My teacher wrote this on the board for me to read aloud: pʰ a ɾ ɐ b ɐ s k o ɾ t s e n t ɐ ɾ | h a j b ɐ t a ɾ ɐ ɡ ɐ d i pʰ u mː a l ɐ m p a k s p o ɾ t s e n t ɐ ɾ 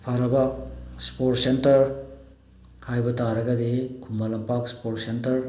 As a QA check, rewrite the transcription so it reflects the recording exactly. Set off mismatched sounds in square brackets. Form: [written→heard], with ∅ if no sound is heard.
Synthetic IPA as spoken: pʰ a ɾ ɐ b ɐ s [k→p] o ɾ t s e n t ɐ ɾ | h a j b ɐ t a ɾ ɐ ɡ ɐ d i [pʰ→kʰ] u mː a l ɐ m p a k s p o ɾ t s e n t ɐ ɾ